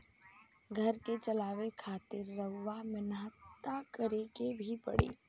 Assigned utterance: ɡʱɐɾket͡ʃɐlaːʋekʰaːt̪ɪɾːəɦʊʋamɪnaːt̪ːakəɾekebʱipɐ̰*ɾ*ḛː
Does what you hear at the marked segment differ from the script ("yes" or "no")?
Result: yes